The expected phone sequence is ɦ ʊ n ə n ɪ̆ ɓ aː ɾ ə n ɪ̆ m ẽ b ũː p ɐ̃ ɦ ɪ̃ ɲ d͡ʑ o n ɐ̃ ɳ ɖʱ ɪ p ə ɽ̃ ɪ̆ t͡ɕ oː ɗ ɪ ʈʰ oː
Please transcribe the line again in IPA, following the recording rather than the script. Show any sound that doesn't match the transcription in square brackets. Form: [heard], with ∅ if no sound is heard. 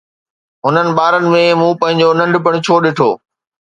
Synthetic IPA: ɦ ʊ n ə n ɪ̆ ɓ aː ɾ ə n ɪ̆ m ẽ [m] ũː p ɐ̃ ɦ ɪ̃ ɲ d͡ʑ o n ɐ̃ ɳ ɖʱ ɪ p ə ɽ̃ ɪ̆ [t͡ɕʰ] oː ɗ ɪ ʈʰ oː